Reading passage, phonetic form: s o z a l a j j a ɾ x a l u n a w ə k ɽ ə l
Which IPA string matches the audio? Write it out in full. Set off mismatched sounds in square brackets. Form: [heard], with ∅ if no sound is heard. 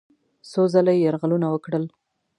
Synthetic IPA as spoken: s o z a l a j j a ɾ [ɣ] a l u n a w ə k ɽ ə l